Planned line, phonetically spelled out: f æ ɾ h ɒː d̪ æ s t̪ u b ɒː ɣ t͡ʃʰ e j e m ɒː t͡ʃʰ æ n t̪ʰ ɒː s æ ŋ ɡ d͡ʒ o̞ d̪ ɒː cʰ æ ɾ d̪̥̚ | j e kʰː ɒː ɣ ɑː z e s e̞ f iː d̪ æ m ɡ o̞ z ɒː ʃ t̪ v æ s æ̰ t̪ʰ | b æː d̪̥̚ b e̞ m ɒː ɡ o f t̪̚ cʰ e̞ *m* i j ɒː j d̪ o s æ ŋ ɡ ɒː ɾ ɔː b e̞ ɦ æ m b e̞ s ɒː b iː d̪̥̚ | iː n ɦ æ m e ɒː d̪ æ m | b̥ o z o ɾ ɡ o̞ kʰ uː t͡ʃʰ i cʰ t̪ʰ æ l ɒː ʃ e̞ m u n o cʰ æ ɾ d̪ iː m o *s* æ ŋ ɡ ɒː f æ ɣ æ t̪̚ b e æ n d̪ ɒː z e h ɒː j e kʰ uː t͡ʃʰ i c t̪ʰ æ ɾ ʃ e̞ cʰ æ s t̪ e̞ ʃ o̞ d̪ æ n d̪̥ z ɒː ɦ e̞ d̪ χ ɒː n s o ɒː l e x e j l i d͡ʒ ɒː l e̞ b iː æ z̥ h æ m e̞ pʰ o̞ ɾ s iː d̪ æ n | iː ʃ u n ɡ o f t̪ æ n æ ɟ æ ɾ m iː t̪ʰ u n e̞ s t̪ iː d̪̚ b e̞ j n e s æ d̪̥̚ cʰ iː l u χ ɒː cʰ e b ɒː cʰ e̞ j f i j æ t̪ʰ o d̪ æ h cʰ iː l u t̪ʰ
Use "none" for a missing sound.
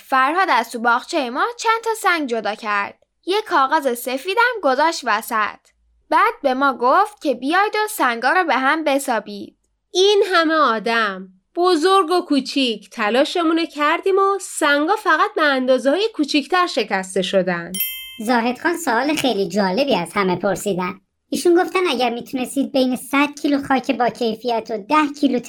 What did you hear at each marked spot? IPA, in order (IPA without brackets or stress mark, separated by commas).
b, s